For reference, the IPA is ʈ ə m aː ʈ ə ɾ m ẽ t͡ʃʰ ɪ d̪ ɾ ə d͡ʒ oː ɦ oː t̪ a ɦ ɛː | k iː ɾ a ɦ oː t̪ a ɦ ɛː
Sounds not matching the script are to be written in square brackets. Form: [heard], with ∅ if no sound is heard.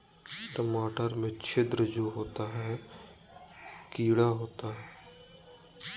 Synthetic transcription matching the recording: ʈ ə m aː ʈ ə ɾ m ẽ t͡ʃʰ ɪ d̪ ɾ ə d͡ʒ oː ɦ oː t̪ a ɦ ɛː | k iː [ɽ] a ɦ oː t̪ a ɦ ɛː